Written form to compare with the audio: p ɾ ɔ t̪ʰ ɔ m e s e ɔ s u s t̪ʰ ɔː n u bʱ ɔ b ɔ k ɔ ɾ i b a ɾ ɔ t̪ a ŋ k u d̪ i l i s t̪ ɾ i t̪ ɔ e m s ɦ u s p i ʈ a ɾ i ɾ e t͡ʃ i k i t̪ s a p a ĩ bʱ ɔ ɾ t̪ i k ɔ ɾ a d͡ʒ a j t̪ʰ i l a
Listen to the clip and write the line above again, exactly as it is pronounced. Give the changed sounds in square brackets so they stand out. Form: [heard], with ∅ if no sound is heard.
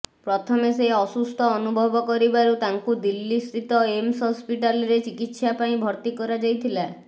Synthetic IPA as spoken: p ɾ ɔ t̪ʰ ɔ m e s e ɔ s u s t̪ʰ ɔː n u bʱ ɔ b ɔ k ɔ ɾ i b a ɾ [u] t̪ a ŋ k u d̪ i [lː] i s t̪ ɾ i t̪ ɔ e m s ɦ [ɔ] s p i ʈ a [l] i ɾ e t͡ʃ i k i t̪ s a p a ĩ bʱ ɔ ɾ t̪ i k ɔ ɾ a d͡ʒ a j t̪ʰ i l a

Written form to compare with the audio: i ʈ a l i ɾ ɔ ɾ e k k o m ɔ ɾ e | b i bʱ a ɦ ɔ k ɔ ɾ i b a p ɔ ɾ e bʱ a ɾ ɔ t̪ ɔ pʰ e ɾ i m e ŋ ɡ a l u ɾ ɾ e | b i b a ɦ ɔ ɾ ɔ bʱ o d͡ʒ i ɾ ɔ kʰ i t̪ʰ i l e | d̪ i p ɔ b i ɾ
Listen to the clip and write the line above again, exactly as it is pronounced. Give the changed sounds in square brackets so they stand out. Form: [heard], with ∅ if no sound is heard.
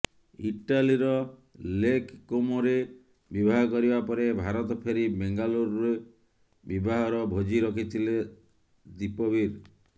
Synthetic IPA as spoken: i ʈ a l i ɾ ɔ [l] e k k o m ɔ ɾ e | b i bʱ a ɦ ɔ k ɔ ɾ i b a p ɔ ɾ e bʱ a ɾ ɔ t̪ ɔ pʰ e ɾ i [b] e ŋ ɡ a l u ɾ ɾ e | b i b a ɦ ɔ ɾ ɔ bʱ o d͡ʒ i ɾ ɔ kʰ i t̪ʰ i l e | d̪ i p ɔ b i ɾ

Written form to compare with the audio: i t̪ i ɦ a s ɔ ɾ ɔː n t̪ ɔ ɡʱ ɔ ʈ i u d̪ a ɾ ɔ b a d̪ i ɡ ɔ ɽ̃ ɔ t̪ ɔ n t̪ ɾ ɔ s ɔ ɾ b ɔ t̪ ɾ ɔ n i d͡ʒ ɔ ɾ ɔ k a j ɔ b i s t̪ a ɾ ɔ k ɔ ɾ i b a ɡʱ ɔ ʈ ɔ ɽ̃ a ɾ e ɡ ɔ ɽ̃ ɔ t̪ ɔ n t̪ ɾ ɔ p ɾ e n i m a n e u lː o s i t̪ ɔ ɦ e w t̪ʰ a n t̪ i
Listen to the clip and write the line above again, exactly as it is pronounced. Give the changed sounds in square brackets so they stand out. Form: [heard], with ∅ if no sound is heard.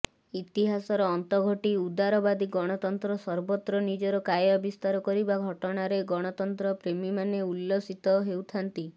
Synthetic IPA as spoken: i t̪ i ɦ a s ɔ ɾ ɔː n t̪ ɔ ɡʱ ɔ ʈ i u d̪ a ɾ ɔ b a d̪ i ɡ ɔ ɽ̃ ɔ t̪ ɔ n t̪ ɾ ɔ s ɔ ɾ b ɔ t̪ ɾ ɔ n i d͡ʒ ɔ ɾ ɔ k a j ɔ b i s t̪ a ɾ ɔ k ɔ ɾ i b a ɡʱ ɔ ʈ ɔ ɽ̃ a ɾ e ɡ ɔ ɽ̃ ɔ t̪ ɔ n t̪ ɾ ɔ p ɾ e [m] i m a n e u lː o s i t̪ ɔ ɦ e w t̪ʰ a n t̪ i

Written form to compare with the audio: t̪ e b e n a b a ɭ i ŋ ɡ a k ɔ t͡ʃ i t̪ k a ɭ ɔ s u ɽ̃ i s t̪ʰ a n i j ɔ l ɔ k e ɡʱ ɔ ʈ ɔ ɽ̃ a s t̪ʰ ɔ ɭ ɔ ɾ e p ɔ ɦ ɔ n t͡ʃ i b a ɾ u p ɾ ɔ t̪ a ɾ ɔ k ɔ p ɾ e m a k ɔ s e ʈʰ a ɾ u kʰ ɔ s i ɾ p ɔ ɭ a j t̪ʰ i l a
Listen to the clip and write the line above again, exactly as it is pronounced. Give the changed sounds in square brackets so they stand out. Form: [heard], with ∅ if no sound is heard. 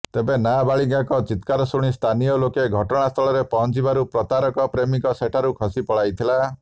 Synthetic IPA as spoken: t̪ e b e n a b a ɭ i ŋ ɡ a k ɔ t͡ʃ i t̪ k a [ɾ] ɔ s u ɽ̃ i s t̪ʰ a n i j ɔ l [o] k e ɡʱ ɔ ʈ ɔ ɽ̃ a s t̪ʰ ɔ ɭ ɔ ɾ e p ɔ ɦ ɔ n t͡ʃ i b a ɾ u p ɾ ɔ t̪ a ɾ ɔ k ɔ p ɾ e m [i] k ɔ s e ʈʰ a ɾ u kʰ ɔ s i [∅] p ɔ ɭ a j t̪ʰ i l a

